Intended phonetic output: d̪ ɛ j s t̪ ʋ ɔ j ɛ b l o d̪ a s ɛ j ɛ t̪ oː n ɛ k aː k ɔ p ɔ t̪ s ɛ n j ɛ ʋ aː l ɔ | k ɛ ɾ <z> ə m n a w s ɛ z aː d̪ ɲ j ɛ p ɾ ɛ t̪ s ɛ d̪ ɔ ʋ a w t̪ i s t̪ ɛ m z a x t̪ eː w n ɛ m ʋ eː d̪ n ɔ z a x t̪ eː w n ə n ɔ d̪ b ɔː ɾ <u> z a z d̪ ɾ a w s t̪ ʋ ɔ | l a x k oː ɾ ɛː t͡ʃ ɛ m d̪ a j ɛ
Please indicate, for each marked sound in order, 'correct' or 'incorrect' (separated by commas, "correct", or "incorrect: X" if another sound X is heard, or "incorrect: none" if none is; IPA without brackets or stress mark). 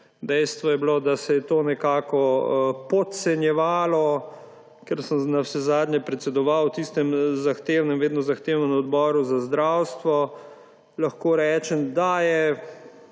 incorrect: s, correct